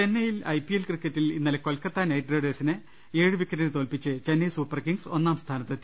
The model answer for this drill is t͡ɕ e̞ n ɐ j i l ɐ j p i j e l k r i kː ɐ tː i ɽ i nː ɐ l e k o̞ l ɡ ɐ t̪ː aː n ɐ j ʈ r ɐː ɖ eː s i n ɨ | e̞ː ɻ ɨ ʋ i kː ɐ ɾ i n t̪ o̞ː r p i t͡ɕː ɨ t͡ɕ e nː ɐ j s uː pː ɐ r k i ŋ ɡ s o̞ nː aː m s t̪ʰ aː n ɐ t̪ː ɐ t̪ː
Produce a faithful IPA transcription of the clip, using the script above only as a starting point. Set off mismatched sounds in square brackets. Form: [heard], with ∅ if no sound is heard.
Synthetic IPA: t͡ɕ e̞ [nː] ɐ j i l ɐ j p i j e l k r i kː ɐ tː i [l] i nː ɐ l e k o̞ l [k] ɐ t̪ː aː n ɐ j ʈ r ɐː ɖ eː s i n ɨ | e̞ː ɻ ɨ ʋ i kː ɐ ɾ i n t̪ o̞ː [l] p i t͡ɕː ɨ t͡ɕ e nː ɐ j s uː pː ɐ r k i ŋ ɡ s o̞ nː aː m s t̪ʰ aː n ɐ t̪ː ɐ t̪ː